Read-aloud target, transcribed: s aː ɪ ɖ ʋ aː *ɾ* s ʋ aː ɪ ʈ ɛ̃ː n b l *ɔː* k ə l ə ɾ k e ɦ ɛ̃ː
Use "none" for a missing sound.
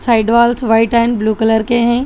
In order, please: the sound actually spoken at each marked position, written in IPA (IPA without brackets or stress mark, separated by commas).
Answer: l, uː